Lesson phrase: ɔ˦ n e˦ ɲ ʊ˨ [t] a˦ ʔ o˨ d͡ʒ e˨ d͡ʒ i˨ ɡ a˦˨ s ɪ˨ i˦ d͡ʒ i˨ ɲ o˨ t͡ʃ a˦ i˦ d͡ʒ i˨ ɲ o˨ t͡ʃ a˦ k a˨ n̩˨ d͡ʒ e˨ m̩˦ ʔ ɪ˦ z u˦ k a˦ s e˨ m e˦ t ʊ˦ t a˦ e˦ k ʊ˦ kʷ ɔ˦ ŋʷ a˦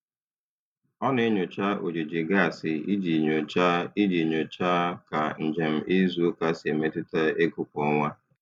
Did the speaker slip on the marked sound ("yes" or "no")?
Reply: yes